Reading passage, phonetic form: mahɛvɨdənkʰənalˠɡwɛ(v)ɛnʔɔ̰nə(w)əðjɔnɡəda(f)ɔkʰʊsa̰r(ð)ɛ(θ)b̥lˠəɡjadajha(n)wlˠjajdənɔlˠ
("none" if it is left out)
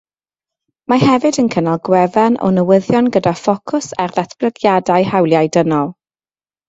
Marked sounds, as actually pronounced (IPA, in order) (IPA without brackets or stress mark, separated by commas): v, w, f, ð, θ, none